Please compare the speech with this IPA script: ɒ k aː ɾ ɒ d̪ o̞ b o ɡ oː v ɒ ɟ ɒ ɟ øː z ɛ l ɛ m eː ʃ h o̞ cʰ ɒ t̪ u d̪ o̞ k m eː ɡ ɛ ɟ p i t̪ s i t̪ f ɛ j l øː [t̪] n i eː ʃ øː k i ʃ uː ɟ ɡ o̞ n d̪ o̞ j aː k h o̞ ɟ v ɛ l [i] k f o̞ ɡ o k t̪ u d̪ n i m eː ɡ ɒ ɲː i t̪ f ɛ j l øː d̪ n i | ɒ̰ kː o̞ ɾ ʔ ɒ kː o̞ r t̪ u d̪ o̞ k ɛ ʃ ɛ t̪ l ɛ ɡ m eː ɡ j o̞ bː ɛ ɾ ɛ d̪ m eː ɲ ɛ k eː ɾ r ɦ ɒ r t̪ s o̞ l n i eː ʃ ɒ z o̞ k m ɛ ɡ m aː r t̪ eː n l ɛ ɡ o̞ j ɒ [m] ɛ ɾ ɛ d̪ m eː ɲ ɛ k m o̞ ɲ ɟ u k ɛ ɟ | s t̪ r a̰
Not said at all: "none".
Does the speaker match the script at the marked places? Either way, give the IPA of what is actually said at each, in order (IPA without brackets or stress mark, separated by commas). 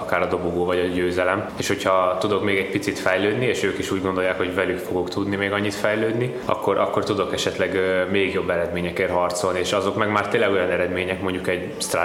d̪, y, n